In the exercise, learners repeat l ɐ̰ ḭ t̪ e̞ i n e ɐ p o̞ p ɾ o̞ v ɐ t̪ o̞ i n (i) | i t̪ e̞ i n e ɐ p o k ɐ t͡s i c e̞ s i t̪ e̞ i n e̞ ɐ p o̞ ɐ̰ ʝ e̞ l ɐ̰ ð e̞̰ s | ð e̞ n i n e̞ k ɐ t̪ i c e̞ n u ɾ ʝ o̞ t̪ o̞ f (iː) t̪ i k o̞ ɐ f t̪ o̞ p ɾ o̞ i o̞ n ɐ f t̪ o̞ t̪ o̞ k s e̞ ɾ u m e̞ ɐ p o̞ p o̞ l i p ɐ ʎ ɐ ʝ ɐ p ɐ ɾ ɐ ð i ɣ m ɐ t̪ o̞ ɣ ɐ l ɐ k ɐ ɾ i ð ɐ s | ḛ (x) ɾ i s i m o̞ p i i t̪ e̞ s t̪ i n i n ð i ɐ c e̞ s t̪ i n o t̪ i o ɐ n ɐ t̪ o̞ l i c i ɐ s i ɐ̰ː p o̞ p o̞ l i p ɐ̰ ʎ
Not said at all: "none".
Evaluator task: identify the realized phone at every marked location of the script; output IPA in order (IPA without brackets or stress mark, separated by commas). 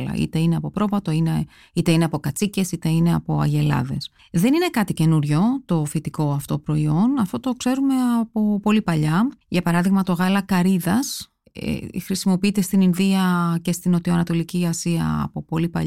e, i, x